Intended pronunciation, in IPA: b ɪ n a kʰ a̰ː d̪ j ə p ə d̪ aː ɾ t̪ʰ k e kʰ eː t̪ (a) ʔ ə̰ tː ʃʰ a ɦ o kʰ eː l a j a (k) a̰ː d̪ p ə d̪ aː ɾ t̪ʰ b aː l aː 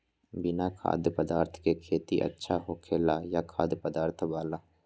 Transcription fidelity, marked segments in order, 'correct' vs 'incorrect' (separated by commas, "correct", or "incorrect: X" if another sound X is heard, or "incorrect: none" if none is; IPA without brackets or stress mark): incorrect: i, incorrect: kʰ